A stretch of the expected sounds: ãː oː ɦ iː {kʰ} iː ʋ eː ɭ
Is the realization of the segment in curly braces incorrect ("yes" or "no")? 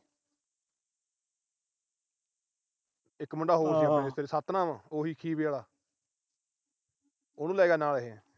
no